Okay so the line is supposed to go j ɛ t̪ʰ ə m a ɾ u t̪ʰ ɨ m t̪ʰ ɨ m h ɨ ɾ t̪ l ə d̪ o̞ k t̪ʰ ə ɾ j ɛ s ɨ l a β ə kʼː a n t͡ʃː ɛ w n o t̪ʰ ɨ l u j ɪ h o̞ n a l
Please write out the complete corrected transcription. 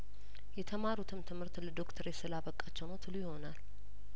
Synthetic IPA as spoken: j ɛ t̪ʰ ə m a ɾ u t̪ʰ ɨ m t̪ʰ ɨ m h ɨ ɾ t̪ l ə d̪ o̞ k t̪ʰ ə ɾ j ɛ s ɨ l a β ə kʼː a t͡ʃː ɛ w n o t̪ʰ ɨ l u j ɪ h o̞ n a l